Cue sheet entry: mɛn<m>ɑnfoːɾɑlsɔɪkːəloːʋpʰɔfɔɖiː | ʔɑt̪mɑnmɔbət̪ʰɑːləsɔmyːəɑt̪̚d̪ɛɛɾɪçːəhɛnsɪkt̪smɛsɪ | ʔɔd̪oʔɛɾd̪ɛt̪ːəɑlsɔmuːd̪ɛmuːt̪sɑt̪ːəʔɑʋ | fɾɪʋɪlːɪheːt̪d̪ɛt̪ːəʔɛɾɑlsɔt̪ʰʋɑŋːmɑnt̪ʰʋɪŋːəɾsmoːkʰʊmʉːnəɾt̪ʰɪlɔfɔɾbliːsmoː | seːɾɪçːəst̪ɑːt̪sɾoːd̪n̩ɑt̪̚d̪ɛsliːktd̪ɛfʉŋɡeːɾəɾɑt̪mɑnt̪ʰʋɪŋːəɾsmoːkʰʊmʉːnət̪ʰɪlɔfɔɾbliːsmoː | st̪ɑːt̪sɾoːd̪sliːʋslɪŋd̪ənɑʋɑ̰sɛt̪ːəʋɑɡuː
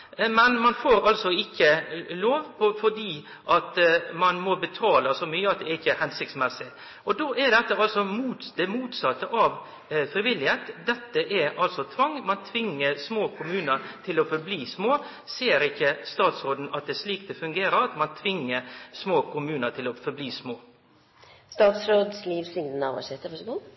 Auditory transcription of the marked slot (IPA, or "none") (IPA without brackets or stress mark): m